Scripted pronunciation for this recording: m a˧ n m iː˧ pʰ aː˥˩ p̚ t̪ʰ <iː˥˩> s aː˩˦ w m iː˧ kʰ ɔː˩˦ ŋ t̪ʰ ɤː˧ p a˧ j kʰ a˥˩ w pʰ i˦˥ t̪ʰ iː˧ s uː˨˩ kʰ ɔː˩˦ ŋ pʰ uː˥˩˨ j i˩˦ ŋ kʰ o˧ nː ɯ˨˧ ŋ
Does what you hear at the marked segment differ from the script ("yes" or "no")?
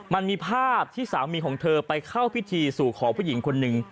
no